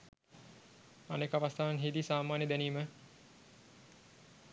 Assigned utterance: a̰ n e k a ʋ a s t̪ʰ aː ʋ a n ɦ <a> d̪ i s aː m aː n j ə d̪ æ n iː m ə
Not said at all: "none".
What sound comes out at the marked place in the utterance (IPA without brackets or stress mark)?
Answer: i